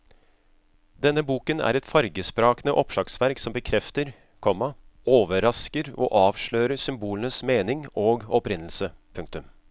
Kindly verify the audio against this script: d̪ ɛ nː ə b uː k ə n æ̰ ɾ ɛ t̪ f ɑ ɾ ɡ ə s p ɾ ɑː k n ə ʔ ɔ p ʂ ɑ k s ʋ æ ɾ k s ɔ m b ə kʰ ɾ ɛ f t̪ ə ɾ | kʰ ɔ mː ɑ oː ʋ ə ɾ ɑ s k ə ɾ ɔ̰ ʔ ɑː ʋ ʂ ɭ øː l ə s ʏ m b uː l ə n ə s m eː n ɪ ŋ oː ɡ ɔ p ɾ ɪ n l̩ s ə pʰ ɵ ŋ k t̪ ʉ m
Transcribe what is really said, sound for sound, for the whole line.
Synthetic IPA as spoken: d̪ ɛ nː ə b uː k ə n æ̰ ɾ ɛ t̪ f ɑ ɾ ɡ ə s p ɾ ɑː k n ə ʔ ɔ p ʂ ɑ k s ʋ æ ɾ k s ɔ m b ə kʰ ɾ ɛ f t̪ ə ɾ | kʰ ɔ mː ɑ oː ʋ ə ɾ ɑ s k ə ɾ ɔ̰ ʔ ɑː ʋ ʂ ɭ øː ɾ ə s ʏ m b uː l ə n ə s m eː n ɪ ŋ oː ɡ ɔ p ɾ ɪ n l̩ s ə pʰ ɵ ŋ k t̪ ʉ m

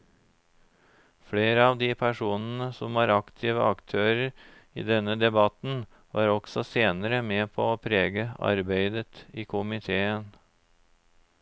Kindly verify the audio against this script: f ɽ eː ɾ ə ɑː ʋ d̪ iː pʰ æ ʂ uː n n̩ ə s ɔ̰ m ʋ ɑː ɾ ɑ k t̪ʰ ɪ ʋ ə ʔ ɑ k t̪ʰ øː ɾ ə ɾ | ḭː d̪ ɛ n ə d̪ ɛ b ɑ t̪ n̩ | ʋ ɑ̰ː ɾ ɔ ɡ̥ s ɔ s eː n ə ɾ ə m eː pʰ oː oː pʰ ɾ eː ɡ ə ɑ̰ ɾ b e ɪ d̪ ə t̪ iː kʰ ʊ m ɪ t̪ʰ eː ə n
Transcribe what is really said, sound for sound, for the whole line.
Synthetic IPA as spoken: f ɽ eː ɾ ə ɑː ʋ d̪ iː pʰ æ ʂ uː n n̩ ə s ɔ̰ m ʋ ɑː ɾ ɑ k t̪ʰ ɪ ʋ ə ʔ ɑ k t̪ʰ øː ɾ ə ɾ | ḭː d̪ ɛ n ə d̪ ɛ b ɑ t̪ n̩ | ʋ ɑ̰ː ɾ ɔ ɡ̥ s ɔ s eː n ə ɾ ə m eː pʰ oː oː pʰ ɾ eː ɡ ə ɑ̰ ɾ b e ɪ d̪ ə t̪ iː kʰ ʊ m ɪ t̪ʰ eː ə n

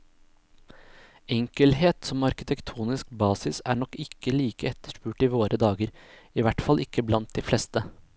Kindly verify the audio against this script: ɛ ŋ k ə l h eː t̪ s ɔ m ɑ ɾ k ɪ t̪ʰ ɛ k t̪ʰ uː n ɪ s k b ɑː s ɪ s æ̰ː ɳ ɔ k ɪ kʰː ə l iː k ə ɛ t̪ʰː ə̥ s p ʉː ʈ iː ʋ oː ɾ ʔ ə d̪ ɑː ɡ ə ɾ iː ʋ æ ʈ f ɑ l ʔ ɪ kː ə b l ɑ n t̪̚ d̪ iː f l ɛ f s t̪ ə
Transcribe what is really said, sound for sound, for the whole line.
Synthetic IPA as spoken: ɛ ŋ k ə l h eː t̪ s ɔ m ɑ ɾ k ɪ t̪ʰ ɛ k t̪ʰ uː n ɪ s k b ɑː s ɪ s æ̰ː ɳ ɔ k ɪ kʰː ə l iː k ə ɛ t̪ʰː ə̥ ʂ p ʉː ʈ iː ʋ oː ɾ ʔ ə d̪ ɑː ɡ ə ɾ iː ʋ æ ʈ f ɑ l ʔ ɪ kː ə b l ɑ n t̪̚ d̪ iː f l ɛ s t̪ ə

